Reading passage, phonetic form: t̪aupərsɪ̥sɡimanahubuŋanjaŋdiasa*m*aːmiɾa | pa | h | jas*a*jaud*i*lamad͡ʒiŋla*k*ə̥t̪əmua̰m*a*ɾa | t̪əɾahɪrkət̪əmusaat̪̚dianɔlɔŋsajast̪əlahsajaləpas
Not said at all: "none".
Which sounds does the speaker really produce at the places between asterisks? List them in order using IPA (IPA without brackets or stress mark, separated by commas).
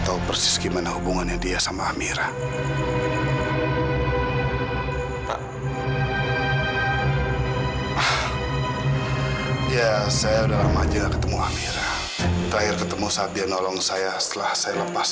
m, a, a, k, i